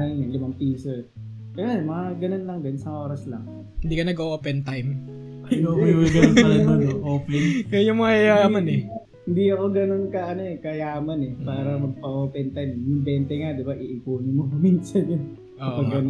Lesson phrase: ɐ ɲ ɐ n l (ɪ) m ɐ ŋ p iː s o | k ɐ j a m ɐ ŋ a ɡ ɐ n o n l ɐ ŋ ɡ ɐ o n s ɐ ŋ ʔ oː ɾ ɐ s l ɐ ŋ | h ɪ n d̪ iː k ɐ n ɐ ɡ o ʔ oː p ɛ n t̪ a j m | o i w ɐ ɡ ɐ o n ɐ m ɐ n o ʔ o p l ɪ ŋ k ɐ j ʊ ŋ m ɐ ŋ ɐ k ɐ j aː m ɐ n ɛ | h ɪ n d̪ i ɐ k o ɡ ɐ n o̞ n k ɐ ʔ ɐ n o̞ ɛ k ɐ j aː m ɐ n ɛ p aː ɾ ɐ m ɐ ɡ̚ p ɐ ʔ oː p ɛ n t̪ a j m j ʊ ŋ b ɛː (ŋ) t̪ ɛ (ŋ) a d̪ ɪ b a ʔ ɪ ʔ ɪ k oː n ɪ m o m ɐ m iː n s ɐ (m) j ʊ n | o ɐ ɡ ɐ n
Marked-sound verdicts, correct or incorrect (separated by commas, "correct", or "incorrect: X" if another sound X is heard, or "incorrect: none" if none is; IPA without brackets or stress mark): correct, incorrect: n, correct, incorrect: n